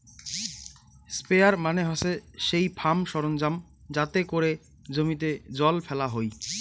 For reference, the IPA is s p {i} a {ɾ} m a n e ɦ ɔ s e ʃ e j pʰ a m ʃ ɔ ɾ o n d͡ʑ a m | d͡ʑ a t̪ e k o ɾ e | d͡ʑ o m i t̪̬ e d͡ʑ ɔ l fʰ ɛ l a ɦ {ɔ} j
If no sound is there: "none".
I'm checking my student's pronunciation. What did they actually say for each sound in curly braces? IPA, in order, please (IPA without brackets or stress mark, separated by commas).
e, ɾ, o